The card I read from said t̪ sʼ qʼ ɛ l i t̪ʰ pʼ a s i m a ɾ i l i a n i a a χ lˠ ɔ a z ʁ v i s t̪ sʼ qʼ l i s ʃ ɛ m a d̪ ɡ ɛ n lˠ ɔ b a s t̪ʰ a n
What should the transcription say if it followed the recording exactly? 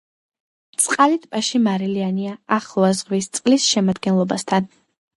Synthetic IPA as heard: t̪ sʼ qʼ a l i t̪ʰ pʼ a ʃ i m a ɾ i l i a n i a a χ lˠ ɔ a z ʁ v i s t̪ sʼ qʼ l i s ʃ ɛ m a d̪ ɡ ɛ n lˠ ɔ b a s t̪ʰ a n